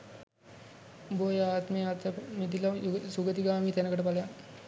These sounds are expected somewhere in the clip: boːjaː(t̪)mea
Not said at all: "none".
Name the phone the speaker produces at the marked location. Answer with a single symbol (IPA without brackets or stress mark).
t̪